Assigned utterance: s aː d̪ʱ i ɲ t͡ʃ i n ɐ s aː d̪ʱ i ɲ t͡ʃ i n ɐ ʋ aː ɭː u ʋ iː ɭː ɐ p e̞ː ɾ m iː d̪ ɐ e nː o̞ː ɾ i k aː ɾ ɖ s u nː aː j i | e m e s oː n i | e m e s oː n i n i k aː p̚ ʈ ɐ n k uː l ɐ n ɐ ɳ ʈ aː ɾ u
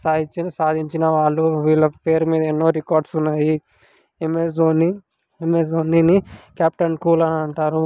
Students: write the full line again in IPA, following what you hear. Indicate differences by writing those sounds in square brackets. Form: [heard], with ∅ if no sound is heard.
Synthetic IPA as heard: s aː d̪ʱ i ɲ t͡ʃ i n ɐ s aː d̪ʱ i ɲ t͡ʃ i n ɐ ʋ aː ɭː u ʋ iː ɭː ɐ p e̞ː ɾ m iː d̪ ɐ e nː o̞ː ɾ i k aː ɾ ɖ s u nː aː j i | e m e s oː n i | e m e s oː n i n i k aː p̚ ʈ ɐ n k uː l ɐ n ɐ ɳ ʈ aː ɾ u